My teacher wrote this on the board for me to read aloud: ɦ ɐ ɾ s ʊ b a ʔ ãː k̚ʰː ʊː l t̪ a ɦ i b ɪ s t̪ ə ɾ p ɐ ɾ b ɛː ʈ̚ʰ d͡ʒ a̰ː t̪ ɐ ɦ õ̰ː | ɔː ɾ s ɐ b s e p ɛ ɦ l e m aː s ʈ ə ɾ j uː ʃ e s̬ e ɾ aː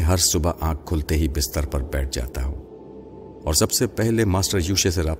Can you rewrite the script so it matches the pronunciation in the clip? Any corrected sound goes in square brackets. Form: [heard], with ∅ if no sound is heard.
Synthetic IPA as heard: ɦ ɐ ɾ s ʊ b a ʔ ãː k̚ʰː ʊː l t̪ [e] ɦ i b ɪ s t̪ ə ɾ p ɐ ɾ b ɛː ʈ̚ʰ d͡ʒ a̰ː t̪ [a] ɦ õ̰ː | ɔː ɾ s ɐ b s e p ɛ ɦ l e m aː s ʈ ə ɾ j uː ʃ e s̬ e ɾ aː